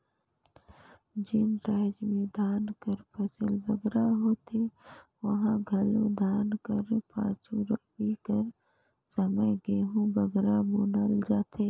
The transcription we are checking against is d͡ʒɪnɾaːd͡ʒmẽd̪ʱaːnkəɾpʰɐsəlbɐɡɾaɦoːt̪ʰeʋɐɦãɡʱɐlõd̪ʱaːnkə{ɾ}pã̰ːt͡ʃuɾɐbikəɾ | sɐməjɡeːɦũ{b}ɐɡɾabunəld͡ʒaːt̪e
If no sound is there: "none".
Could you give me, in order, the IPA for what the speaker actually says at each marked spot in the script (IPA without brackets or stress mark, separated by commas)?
ɾ, b